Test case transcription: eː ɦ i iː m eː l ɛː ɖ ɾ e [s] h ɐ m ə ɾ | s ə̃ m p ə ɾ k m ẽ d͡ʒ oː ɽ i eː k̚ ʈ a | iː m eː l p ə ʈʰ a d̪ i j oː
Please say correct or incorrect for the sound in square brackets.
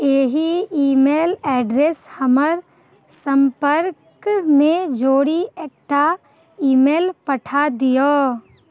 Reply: correct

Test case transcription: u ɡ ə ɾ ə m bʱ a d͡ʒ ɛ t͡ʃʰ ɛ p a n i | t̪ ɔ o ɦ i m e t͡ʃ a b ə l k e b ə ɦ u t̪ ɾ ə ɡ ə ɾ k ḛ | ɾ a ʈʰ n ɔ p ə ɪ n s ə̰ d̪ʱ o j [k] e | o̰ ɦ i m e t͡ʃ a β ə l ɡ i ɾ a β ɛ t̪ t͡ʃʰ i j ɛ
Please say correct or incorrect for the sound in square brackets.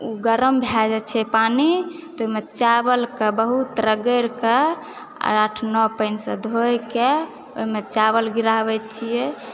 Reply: correct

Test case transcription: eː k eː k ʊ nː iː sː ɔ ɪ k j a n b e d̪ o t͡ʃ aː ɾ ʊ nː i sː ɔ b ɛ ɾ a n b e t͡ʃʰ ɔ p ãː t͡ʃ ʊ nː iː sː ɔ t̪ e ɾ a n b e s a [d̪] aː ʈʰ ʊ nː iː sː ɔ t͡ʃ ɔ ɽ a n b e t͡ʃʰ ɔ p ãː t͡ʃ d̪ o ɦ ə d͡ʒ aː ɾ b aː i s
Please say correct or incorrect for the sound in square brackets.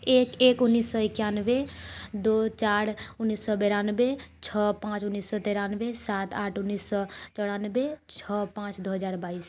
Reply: incorrect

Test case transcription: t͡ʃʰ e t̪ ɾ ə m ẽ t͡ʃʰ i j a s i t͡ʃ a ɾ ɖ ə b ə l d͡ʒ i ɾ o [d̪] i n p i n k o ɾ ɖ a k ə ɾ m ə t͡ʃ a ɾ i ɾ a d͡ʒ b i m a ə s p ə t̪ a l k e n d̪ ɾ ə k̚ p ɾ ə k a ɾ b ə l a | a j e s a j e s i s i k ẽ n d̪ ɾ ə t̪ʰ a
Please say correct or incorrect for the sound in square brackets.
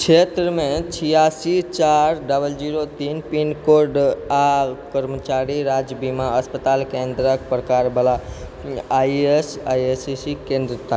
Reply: incorrect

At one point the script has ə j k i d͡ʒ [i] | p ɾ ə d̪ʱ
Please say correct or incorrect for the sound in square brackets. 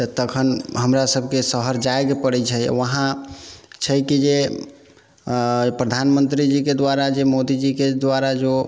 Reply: incorrect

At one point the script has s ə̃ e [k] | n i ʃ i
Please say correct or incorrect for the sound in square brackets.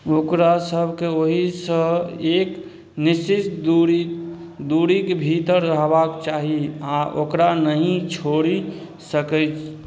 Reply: correct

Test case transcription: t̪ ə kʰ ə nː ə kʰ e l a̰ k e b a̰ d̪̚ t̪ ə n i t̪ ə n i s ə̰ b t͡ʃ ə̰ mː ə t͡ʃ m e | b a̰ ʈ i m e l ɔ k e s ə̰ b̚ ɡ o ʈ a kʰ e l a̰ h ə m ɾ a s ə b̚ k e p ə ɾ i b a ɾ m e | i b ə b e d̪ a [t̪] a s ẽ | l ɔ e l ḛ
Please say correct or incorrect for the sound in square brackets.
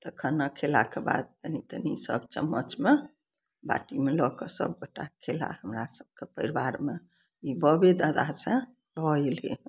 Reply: incorrect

